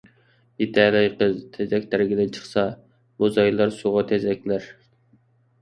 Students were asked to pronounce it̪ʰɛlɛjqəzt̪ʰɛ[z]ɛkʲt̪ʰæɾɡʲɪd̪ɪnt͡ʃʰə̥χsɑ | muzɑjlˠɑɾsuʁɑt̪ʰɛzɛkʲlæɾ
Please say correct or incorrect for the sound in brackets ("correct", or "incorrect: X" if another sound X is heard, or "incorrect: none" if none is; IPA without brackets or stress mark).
correct